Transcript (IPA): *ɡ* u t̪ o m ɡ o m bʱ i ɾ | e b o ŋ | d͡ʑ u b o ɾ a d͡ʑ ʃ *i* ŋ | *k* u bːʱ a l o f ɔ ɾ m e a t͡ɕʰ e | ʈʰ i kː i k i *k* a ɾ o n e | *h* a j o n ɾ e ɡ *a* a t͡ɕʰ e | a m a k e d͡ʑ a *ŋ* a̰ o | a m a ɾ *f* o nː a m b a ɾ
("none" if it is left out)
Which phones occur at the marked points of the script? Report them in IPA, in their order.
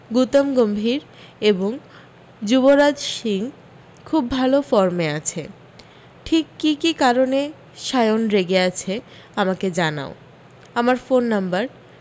ɡ, i, kʰ, k, ʃ, e, n, f

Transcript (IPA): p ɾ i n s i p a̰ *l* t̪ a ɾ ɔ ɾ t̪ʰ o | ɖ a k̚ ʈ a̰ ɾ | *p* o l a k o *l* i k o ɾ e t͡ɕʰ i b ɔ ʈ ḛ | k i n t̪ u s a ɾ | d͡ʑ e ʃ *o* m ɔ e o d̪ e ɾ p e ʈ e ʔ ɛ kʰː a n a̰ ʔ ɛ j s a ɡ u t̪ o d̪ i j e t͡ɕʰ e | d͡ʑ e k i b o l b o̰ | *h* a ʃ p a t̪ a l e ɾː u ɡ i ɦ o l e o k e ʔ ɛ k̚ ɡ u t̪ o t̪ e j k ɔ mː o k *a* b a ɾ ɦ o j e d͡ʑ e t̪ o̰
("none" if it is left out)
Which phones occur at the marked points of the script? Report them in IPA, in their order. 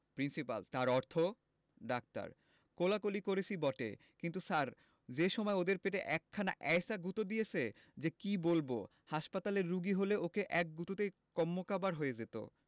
l, k, l, ɔ, h, a

